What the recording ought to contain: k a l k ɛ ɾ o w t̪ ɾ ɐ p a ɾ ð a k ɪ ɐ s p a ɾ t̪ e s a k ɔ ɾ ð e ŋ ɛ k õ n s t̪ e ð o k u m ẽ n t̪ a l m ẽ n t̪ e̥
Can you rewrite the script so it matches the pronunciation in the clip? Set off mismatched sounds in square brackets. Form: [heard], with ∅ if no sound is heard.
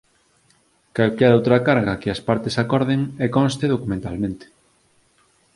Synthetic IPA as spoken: k a l k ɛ ɾ o w t̪ ɾ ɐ [k] a ɾ [ɣ] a k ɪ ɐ s p a ɾ t̪ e s a k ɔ ɾ ð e ŋ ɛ k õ n s t̪ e ð o k u m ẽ n t̪ a l m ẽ n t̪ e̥